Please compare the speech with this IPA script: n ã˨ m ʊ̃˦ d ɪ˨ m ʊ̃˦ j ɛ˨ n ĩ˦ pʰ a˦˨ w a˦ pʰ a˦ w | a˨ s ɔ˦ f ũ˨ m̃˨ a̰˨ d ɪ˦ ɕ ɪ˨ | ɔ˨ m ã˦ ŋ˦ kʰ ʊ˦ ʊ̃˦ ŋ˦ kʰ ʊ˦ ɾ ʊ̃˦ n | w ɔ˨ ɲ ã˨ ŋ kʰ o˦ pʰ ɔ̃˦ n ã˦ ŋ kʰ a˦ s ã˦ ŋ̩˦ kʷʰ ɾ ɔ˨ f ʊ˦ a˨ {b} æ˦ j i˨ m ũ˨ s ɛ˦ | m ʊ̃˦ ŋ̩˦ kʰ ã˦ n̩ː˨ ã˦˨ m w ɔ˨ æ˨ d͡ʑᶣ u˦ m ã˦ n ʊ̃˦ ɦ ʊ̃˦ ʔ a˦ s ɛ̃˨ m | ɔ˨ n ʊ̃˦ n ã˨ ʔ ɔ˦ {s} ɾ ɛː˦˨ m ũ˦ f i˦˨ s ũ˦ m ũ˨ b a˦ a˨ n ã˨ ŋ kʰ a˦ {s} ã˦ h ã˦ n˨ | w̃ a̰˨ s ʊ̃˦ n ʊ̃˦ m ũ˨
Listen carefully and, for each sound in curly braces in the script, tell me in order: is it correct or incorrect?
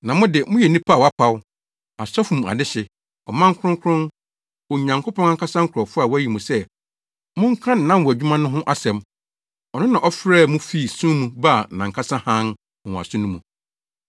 incorrect: w, incorrect: f, correct

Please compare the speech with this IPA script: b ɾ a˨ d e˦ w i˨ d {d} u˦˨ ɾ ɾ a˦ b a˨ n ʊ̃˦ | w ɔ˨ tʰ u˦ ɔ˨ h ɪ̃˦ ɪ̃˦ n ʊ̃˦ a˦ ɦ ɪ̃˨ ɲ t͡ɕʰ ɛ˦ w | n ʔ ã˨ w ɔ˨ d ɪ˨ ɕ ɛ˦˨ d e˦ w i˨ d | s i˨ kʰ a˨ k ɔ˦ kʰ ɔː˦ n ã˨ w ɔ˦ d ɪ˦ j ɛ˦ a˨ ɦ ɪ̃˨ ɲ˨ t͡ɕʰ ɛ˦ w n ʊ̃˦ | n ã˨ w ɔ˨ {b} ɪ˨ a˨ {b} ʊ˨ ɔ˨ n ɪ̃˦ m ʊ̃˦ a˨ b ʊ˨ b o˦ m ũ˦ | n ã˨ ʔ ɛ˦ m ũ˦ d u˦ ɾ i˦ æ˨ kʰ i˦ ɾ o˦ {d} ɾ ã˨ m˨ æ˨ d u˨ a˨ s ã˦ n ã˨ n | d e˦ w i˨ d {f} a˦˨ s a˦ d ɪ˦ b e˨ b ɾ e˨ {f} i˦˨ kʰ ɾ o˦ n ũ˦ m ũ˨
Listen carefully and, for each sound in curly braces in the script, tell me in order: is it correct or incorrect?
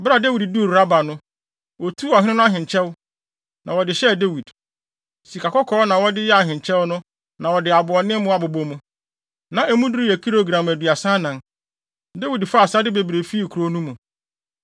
correct, incorrect: d, correct, incorrect: ɡ, correct, correct

